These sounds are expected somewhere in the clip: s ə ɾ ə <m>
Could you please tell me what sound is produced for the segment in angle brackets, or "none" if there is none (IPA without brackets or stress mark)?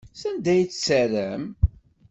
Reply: m